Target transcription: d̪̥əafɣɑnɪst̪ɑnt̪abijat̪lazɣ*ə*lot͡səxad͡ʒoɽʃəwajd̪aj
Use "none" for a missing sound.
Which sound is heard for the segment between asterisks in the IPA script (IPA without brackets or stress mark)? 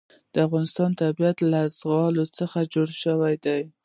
ɑ